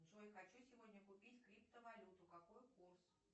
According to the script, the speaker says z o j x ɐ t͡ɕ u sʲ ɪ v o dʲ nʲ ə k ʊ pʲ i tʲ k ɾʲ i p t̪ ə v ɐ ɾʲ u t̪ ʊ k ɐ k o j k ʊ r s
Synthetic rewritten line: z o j x ɐ t͡ɕ u sʲ ɪ v o dʲ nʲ ə k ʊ pʲ i tʲ k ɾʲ i p t̪ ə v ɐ lʲ u t̪ ʊ k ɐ k o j k u r s

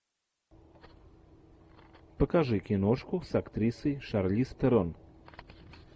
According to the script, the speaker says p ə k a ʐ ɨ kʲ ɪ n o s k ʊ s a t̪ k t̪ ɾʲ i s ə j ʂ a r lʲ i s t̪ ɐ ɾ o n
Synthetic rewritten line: p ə k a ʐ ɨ kʲ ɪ n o ʂ k ʊ s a k t̪ ɾʲ i s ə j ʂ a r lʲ i s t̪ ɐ ɾ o n

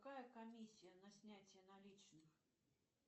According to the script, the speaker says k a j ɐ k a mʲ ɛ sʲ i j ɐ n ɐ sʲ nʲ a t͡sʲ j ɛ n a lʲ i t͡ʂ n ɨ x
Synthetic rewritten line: k a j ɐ k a mʲ i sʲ i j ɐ n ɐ sʲ nʲ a t͡sʲ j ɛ n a lʲ i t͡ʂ n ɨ x

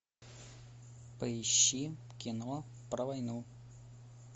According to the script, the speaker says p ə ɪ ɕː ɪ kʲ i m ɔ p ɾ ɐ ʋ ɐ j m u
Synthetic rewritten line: p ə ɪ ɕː i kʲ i n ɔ p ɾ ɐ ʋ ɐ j n u

